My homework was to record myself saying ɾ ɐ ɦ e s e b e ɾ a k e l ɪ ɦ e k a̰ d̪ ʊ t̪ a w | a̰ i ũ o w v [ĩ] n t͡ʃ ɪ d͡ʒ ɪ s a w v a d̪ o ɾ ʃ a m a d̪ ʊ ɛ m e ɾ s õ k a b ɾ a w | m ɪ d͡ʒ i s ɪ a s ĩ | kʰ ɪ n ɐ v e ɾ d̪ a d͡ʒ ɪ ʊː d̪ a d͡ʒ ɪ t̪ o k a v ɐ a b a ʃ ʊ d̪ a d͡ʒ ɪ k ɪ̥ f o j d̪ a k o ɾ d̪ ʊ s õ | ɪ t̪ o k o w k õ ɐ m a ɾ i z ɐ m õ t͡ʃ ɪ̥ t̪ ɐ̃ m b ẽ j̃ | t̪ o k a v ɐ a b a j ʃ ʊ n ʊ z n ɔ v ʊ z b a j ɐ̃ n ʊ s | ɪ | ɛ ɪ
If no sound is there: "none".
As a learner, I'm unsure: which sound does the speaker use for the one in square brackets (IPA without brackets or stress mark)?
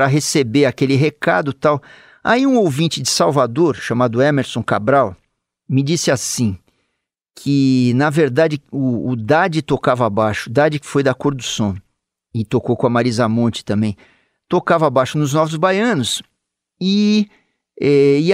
ĩ